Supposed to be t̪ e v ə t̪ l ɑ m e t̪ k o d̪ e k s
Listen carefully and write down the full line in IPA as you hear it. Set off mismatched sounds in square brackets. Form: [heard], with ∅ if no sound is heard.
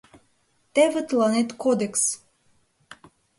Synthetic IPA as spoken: t̪ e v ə t̪ l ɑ [n] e t̪ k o d̪ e k s